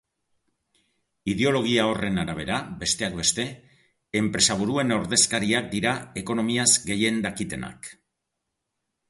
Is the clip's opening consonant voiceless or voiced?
voiced